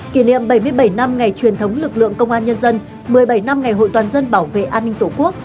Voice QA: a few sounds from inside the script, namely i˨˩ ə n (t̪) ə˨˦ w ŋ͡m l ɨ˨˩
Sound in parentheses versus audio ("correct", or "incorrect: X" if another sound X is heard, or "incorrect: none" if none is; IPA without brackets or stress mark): incorrect: t̪ʰ